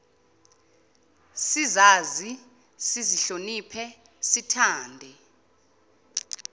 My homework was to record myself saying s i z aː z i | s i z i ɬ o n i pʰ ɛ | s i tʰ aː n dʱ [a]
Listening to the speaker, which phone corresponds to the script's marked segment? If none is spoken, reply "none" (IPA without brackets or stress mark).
ɛ